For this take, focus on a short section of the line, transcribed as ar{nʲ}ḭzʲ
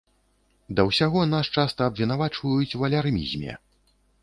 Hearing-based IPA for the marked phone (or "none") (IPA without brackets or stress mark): mʲ